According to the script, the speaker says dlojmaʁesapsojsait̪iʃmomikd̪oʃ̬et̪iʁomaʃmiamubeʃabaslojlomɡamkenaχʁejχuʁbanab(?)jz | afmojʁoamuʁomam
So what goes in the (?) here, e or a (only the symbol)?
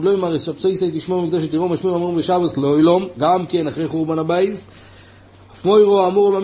a